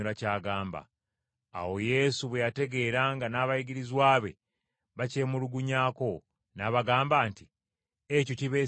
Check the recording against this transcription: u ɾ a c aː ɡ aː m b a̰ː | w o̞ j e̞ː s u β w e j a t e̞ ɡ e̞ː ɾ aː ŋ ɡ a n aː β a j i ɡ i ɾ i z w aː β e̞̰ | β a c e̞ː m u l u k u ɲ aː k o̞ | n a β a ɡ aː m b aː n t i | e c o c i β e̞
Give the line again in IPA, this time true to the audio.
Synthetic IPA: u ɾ a c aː ɡ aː m b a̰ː | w o̞ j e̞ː s u β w e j a t e̞ ɡ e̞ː ɾ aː ŋ ɡ a n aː β a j i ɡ i ɾ i z w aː β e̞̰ | β a c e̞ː m u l u ɡ u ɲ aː k o̞ | n a β a ɡ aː m b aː n t i | e c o c i β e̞